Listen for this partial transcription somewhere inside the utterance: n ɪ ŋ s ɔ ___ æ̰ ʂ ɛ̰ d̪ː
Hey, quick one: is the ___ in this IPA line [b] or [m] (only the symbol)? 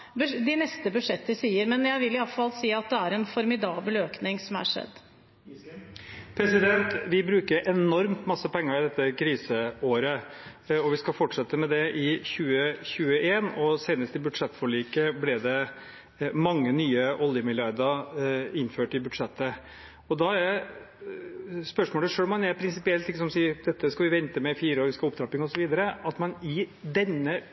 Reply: m